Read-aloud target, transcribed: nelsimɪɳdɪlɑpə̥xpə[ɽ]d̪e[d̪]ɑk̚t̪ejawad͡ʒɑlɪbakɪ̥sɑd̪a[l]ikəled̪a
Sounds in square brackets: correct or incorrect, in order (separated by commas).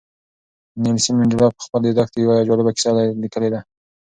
incorrect, correct, correct